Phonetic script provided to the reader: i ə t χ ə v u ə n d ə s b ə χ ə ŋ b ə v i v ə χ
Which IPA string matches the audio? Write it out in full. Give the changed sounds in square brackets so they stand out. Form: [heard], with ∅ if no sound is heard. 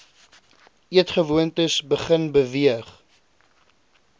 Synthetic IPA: i ə t χ ə v u ə n [t] ə s b ə χ ə [n] b ə v i [∅] ə χ